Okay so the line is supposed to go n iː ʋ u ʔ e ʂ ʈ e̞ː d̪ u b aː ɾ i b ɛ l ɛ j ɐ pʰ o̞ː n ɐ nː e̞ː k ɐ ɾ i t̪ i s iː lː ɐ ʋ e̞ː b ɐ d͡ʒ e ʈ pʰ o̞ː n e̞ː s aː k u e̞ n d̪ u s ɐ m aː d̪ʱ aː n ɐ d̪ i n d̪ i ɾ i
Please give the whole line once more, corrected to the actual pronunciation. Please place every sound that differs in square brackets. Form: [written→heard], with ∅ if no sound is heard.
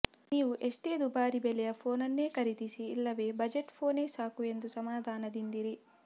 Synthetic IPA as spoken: n iː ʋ u ʔ e ʂ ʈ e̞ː d̪ u b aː ɾ i b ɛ l ɛ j ɐ pʰ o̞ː n ɐ nː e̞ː k ɐ ɾ i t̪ i s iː lː ɐ ʋ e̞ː b ɐ d͡ʒ e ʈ pʰ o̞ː n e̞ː s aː k u e̞ n d̪ u s ɐ m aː d̪ʱ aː n ɐ d̪ i n d̪ i ɾ i